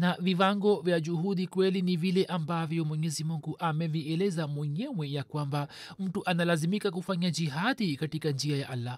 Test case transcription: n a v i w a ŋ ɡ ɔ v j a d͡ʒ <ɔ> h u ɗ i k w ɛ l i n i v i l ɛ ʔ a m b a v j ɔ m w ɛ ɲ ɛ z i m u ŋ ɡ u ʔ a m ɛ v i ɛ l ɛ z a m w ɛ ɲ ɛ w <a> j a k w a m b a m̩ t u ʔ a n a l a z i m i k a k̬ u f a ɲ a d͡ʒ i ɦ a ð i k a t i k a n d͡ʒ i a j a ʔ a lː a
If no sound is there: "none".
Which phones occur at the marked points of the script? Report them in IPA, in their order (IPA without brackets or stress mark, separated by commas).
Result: u, ɛ